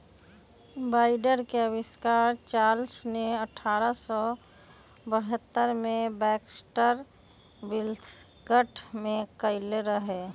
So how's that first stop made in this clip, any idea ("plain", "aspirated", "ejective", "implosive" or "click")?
plain